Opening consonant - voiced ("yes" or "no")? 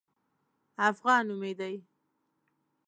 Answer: no